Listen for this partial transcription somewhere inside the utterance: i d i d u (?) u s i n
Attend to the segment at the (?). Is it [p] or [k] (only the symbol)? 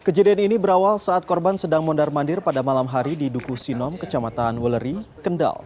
k